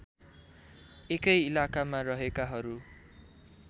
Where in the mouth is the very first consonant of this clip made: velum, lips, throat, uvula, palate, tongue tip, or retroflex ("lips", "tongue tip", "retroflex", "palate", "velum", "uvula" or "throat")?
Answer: velum